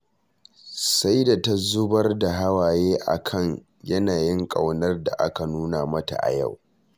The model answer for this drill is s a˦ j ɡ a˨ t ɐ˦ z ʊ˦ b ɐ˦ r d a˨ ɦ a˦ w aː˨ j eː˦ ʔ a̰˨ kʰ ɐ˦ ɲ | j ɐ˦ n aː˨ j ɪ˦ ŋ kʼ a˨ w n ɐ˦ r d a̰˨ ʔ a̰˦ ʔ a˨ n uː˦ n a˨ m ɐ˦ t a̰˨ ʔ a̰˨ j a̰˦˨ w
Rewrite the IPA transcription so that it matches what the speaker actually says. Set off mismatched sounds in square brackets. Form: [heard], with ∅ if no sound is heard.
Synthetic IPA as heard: s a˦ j [d] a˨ t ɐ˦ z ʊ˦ b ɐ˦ r d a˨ ɦ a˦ w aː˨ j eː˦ ʔ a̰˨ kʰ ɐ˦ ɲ | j ɐ˦ n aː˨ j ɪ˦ ŋ kʼ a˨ w n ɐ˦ r d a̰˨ ʔ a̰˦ [k] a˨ n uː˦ n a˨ m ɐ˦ t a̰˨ ʔ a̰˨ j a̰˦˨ w

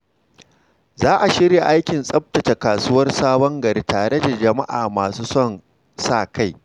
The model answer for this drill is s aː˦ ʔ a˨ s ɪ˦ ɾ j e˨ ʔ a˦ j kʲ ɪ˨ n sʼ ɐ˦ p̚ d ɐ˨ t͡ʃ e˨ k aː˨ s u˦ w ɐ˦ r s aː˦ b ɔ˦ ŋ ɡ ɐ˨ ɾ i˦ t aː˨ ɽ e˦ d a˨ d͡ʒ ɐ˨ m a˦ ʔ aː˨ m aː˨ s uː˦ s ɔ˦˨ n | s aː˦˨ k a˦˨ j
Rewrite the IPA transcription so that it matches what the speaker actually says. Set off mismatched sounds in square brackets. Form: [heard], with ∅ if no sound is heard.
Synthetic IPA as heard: [z] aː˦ ʔ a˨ [ʃ] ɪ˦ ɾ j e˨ ʔ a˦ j kʲ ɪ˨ n sʼ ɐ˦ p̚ [t] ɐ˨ t͡ʃ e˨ k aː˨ s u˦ w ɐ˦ r s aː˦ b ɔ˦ ŋ ɡ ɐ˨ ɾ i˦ t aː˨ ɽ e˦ d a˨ d͡ʒ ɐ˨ m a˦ ʔ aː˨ m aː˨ s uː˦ s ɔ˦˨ n | s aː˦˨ k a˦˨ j

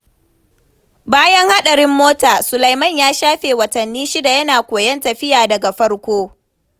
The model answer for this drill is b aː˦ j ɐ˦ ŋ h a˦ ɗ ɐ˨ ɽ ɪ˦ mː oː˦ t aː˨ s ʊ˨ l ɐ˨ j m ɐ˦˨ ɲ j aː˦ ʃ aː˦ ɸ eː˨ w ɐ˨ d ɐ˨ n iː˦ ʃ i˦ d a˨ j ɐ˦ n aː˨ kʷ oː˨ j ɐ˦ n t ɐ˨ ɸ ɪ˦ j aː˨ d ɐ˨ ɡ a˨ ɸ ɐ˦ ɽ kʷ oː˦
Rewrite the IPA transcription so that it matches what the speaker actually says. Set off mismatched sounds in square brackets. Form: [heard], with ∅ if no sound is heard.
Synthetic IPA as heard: b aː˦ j ɐ˦ ŋ h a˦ ɗ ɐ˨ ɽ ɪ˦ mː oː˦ t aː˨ s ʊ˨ l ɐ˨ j m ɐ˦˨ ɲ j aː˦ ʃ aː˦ ɸ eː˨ w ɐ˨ [t] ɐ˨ [nː] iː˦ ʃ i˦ d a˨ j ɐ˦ n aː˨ kʷ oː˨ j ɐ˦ n t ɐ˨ ɸ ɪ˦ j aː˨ d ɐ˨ ɡ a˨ ɸ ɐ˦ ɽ kʷ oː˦

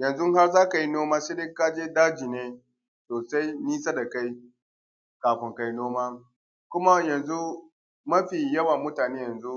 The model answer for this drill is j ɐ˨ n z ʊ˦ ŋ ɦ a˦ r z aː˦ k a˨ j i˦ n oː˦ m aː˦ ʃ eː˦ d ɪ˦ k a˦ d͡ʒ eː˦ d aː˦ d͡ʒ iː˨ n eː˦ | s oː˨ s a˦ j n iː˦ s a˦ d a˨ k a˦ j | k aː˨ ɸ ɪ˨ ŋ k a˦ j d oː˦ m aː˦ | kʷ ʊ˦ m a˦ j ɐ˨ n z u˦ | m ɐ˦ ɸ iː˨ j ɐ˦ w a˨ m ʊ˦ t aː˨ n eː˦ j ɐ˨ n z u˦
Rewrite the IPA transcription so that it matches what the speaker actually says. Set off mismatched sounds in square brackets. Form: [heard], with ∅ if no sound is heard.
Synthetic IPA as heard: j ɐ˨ n z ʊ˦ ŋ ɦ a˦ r z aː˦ k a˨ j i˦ n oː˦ m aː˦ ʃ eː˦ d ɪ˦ k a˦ d͡ʒ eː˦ d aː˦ d͡ʒ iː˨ n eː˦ | s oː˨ s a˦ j n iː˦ s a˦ d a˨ k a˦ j | k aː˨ ɸ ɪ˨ ŋ k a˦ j [n] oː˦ m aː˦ | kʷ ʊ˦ m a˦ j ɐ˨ n z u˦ | m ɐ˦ ɸ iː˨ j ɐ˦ w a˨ m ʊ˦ t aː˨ n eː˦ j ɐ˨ n z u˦

